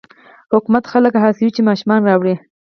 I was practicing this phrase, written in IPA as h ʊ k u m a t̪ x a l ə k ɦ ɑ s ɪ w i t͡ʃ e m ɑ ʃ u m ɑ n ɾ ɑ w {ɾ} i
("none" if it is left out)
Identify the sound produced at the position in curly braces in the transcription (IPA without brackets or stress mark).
ɽ